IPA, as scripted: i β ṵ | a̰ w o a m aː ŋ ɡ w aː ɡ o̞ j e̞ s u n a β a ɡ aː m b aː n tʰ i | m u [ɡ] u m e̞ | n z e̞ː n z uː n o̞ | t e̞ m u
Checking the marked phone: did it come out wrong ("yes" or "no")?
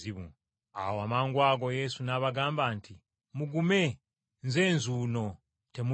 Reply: no